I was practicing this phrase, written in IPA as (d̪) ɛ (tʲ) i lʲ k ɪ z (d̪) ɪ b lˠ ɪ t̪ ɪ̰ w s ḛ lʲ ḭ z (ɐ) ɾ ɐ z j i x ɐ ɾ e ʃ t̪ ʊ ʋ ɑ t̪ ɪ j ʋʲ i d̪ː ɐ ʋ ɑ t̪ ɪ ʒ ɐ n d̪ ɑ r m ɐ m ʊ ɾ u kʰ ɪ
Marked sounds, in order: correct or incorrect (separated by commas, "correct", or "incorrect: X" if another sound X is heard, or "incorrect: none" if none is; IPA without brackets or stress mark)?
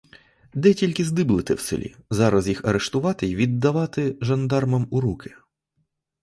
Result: correct, correct, correct, incorrect: ɑ